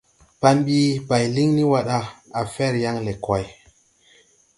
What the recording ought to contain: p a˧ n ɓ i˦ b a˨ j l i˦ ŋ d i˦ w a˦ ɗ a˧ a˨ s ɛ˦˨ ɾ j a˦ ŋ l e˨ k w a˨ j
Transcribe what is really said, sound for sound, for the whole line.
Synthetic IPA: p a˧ n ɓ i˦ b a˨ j l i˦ ŋ n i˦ w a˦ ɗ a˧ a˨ f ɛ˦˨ ɾ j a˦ ŋ l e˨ k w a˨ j